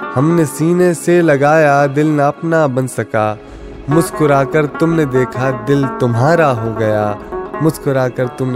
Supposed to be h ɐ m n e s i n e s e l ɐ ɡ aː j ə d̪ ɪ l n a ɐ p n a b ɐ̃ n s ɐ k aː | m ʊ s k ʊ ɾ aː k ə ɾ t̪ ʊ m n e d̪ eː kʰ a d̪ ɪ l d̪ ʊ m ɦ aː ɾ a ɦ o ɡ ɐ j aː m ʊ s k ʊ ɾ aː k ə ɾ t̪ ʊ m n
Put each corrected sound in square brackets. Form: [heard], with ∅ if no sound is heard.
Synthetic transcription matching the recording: h ɐ m n e s [iː] n e s e l ɐ ɡ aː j [a] d̪ ɪ l n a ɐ p n a b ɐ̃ n s ɐ k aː | m ʊ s k ʊ ɾ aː k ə ɾ t̪ ʊ m n e d̪ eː kʰ a d̪ ɪ l [t̪] ʊ m ɦ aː ɾ a ɦ o ɡ ɐ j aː m ʊ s k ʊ ɾ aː k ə ɾ t̪ ʊ m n